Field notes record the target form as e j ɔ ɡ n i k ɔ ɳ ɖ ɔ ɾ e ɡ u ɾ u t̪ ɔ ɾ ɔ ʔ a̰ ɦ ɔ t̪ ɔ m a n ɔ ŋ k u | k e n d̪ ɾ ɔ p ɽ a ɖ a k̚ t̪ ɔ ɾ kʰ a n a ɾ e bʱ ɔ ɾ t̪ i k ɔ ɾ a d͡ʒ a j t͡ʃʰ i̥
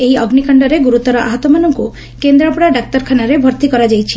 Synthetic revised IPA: e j ɔ ɡ n i k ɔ ɳ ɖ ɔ ɾ e ɡ u ɾ u t̪ ɔ ɾ ɔ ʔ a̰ ɦ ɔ t̪ ɔ m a n ɔ ŋ k u | k e n d̪ ɾ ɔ p ɽ a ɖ a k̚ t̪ ɔ ɾ kʰ a n a ɾ e bʱ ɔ ɾ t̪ i k ɔ ɾ a d͡ʒ a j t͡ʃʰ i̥